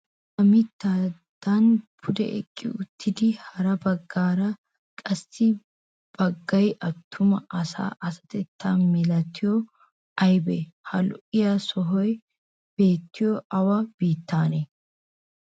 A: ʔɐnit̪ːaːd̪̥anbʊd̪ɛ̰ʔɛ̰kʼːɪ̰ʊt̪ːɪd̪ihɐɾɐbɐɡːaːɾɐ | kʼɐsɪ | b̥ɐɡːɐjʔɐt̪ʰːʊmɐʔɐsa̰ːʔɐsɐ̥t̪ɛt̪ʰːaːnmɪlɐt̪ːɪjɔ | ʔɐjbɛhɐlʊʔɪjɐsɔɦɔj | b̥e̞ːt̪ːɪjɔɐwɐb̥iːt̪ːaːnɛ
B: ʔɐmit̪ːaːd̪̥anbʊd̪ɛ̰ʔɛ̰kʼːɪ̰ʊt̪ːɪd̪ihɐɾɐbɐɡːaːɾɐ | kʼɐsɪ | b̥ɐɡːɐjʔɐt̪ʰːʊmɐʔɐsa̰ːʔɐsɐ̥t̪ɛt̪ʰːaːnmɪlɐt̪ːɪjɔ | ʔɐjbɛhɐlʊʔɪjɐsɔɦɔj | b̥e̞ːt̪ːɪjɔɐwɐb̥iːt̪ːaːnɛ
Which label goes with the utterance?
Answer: B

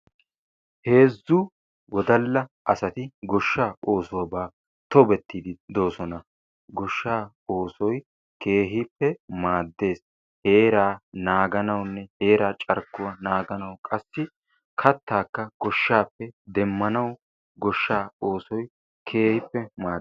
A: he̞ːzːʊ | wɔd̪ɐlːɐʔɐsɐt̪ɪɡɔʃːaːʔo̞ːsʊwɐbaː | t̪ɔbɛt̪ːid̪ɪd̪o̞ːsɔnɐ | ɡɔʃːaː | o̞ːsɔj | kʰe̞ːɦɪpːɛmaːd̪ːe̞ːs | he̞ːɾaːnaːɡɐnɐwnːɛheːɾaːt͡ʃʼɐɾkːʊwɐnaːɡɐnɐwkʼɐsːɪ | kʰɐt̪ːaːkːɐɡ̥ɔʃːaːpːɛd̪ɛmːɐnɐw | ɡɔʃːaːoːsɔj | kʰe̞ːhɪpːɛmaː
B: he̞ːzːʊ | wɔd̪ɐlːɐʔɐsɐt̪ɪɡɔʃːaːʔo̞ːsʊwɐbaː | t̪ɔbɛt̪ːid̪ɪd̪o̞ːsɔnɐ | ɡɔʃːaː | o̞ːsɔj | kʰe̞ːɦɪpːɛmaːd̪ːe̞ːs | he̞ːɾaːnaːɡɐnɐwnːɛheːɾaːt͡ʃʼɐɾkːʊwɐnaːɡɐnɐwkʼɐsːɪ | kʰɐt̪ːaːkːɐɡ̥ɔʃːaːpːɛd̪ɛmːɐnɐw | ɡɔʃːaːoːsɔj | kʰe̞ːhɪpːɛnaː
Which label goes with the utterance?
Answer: A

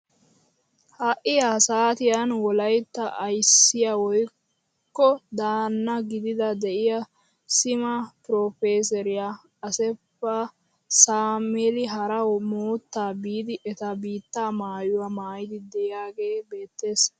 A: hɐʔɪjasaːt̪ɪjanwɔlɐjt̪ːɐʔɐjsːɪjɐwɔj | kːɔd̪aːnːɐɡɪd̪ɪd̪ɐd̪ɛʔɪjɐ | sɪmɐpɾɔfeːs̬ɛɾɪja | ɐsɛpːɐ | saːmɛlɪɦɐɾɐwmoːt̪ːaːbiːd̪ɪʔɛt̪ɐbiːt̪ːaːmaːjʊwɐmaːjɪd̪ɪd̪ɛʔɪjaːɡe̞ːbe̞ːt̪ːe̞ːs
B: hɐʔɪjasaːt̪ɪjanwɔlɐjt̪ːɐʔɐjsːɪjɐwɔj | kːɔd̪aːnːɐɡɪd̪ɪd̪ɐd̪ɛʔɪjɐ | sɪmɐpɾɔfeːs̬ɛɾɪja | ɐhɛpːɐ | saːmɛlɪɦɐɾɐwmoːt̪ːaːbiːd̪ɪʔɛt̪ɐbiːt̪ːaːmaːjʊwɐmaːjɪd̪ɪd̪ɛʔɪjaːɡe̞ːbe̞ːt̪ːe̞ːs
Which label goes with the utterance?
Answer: A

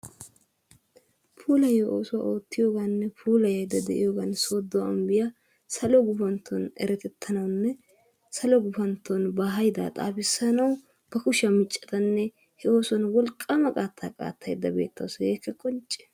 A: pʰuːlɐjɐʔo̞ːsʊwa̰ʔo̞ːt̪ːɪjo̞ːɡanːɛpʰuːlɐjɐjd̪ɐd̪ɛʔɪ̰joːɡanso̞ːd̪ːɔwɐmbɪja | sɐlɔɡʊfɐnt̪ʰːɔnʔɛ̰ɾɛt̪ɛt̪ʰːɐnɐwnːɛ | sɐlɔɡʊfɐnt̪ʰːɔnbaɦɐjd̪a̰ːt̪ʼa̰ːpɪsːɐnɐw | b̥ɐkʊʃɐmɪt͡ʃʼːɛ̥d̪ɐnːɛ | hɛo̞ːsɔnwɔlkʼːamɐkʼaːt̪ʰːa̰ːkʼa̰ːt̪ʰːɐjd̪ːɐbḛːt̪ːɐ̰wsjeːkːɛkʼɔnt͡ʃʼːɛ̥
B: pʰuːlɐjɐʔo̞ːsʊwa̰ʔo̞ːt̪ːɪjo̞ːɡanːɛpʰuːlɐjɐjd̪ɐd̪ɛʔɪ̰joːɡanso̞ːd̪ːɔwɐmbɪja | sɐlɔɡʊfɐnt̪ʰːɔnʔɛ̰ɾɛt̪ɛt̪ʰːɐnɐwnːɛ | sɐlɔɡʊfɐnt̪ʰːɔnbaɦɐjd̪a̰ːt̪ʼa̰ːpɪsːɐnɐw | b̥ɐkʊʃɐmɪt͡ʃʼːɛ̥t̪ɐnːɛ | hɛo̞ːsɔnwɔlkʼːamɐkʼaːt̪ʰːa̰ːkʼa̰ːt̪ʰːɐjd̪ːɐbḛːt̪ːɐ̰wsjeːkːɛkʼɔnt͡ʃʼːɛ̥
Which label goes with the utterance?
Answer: B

